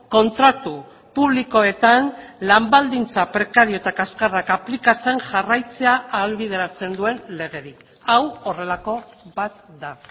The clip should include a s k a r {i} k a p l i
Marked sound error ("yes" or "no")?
yes